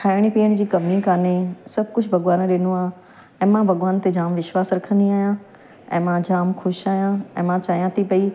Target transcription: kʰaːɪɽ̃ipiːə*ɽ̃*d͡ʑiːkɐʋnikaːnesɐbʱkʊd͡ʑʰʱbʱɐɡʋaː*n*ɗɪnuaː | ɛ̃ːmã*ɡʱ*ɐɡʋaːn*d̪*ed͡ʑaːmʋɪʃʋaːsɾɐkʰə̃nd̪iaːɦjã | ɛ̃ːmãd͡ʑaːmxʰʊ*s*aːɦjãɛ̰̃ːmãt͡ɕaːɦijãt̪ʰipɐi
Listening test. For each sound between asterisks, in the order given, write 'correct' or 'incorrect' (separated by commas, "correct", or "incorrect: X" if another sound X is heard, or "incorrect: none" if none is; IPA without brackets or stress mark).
correct, correct, incorrect: bʱ, incorrect: t̪, incorrect: ʃ